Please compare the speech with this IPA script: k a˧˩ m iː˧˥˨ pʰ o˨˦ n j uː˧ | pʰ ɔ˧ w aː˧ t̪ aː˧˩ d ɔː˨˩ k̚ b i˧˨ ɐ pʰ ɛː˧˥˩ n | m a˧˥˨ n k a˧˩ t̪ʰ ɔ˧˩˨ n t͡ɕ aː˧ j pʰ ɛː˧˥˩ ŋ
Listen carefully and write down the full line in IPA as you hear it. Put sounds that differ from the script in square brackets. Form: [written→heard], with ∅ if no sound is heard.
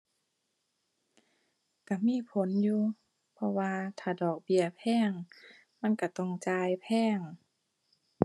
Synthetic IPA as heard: k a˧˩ m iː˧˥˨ pʰ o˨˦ n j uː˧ | pʰ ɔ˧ w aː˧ [t̪→t̪ʰ] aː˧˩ d ɔː˨˩ k̚ b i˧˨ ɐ pʰ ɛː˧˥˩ [n→ŋ] | m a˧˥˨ n k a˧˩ [t̪ʰ→t̪] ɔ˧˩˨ [n→ŋ] t͡ɕ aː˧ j pʰ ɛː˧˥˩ ŋ